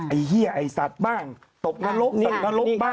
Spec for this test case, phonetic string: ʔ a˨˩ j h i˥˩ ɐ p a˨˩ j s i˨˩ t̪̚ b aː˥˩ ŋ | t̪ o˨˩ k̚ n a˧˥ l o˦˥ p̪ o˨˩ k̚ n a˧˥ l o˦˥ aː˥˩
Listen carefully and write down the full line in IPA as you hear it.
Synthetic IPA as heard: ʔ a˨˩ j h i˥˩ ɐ ʔ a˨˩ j s a˨˩ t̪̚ b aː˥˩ ŋ | t̪ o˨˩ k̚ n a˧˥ l o˦˥ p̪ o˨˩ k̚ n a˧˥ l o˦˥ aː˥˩